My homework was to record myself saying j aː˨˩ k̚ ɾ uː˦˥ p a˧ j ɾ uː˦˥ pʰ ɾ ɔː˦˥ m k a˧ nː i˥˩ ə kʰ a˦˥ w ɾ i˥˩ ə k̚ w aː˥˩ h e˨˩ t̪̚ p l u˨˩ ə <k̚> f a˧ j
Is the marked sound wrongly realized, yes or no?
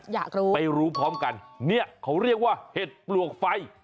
no